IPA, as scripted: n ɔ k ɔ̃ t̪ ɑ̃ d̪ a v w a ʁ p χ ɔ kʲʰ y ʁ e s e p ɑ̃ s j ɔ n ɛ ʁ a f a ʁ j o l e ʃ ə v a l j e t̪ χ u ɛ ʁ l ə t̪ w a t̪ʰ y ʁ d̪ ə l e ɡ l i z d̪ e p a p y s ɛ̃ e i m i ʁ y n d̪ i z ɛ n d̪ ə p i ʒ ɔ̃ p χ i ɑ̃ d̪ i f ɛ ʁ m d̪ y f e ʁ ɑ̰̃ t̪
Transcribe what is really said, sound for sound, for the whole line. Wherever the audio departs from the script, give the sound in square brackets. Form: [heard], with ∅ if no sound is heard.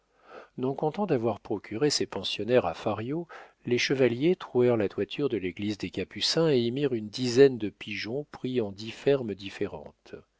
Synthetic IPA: n [ɔ̃] k ɔ̃ t̪ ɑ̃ d̪ a v w a ʁ p χ ɔ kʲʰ y ʁ e s e p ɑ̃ s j ɔ n ɛ ʁ a f a ʁ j o l e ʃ ə v a l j e t̪ χ u ɛ ʁ l [a] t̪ w a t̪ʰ y ʁ d̪ ə l e ɡ l i z d̪ e [k] a p y s ɛ̃ e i m i ʁ y n d̪ i z ɛ n d̪ ə p i ʒ ɔ̃ p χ i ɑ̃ d̪ i f ɛ ʁ m d̪ [i] f e ʁ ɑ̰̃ t̪